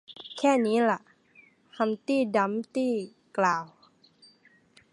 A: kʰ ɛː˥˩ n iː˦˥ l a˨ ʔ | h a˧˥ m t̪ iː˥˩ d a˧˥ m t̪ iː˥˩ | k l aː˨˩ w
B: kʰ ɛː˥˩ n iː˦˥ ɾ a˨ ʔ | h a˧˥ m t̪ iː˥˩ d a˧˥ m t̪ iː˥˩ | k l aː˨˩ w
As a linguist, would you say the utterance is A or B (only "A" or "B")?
A